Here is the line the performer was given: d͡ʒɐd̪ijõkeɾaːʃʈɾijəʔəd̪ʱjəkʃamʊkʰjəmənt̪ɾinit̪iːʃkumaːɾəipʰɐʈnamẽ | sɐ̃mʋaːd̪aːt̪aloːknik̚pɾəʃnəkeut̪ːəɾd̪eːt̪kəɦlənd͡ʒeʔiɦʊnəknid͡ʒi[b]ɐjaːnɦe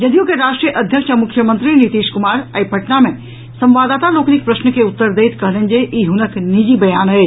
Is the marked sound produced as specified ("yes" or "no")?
yes